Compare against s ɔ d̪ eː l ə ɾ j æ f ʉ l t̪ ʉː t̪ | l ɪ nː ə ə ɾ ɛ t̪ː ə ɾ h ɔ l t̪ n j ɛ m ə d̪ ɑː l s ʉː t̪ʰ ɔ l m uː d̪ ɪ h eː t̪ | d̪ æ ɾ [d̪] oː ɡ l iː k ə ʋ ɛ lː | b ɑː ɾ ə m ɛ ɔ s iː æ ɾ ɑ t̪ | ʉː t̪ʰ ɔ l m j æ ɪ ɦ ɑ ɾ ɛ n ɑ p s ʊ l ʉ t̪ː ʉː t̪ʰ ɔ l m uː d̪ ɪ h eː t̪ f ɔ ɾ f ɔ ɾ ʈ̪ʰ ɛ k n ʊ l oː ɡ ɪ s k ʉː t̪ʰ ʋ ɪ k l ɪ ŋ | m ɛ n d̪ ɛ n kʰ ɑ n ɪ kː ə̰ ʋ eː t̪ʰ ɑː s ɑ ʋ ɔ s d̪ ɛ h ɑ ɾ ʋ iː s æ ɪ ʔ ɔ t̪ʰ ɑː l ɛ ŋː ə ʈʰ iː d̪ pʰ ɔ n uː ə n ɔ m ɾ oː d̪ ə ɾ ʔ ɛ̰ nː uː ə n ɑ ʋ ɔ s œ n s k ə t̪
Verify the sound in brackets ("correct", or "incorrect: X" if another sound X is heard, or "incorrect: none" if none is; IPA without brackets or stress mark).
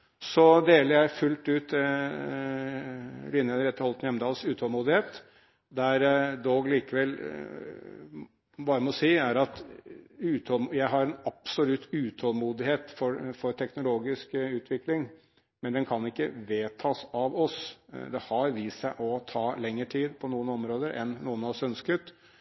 correct